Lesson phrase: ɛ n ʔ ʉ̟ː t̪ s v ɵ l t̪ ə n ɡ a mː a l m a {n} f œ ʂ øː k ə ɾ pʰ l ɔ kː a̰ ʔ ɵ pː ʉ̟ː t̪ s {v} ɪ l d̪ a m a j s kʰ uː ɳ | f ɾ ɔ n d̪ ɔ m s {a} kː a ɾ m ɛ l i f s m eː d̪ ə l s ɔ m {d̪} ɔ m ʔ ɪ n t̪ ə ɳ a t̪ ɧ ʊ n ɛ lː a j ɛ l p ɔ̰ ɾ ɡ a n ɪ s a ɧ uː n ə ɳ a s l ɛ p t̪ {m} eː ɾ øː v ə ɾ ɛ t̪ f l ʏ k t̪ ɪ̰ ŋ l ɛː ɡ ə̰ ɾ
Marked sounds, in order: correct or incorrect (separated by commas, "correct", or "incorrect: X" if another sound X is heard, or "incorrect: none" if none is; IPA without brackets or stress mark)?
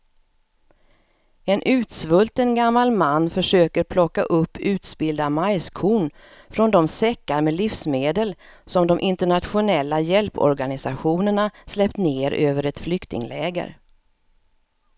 incorrect: nː, incorrect: b, incorrect: ɛ, correct, incorrect: n